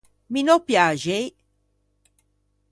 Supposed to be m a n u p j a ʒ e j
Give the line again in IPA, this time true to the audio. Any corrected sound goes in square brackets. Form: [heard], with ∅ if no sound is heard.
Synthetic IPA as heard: m [i] n [o] p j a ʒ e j